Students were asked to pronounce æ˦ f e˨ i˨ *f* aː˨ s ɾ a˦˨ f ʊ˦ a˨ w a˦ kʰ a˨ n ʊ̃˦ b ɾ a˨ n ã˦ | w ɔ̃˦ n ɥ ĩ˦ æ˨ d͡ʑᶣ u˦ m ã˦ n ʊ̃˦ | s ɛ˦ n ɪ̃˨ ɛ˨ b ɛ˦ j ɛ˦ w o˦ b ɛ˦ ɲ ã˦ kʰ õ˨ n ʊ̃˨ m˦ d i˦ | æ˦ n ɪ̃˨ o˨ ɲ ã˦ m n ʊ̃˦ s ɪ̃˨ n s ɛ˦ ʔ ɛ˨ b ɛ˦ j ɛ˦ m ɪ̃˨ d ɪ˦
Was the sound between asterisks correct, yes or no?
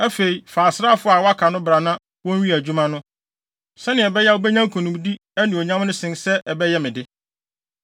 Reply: yes